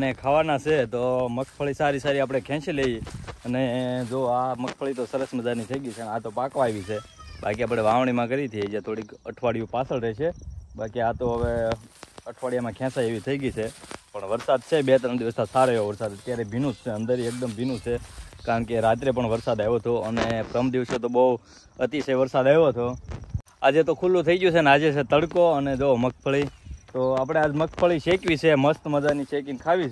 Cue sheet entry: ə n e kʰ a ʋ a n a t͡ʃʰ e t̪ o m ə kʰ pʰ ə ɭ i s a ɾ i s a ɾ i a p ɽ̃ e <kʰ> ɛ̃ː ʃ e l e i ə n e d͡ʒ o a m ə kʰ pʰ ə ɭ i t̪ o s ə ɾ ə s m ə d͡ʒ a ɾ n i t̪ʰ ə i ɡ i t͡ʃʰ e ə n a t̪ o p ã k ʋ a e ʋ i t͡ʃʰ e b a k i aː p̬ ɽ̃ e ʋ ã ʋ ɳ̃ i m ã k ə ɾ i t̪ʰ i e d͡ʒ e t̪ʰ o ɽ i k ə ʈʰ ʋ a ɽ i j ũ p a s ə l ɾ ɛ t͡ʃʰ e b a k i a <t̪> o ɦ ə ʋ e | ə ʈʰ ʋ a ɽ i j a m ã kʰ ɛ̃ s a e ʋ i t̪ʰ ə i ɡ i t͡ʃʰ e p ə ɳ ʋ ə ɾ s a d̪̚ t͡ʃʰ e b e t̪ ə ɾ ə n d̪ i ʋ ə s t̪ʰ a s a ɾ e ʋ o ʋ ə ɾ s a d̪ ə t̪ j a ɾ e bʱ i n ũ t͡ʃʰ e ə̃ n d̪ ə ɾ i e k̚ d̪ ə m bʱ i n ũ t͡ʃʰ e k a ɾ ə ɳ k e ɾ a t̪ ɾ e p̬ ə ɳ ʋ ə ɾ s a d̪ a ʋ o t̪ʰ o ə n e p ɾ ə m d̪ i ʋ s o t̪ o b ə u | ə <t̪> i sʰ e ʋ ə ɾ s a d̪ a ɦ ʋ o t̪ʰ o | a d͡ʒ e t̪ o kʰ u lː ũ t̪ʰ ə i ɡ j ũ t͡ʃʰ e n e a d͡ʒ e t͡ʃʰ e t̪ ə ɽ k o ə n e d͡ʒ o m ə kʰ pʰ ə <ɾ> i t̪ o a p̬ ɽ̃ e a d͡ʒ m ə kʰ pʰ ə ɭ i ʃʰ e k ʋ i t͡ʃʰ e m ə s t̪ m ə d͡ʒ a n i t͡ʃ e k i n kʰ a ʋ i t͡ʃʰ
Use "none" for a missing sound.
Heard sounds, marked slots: kʰ, t̪, t̪, ɭ

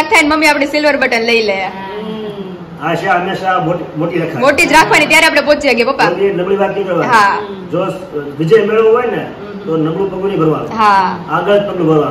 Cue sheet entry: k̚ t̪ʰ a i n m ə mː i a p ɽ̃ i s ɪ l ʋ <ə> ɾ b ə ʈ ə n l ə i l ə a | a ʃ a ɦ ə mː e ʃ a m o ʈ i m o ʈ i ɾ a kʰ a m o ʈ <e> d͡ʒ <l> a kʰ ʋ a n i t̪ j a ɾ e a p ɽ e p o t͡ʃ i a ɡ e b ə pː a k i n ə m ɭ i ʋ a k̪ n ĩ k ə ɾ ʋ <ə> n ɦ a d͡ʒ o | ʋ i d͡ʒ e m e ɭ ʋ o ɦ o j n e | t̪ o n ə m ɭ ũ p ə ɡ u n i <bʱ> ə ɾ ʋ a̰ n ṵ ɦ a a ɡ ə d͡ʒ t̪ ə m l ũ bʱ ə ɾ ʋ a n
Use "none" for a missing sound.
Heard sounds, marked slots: ə, i, ɾ, a, bʱ

